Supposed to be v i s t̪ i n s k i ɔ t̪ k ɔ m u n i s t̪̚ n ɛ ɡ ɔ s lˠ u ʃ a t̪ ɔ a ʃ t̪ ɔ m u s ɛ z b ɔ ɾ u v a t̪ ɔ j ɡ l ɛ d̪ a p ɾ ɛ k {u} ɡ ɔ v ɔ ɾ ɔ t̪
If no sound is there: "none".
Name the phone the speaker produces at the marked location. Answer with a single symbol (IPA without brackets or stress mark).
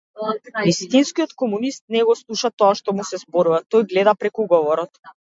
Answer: u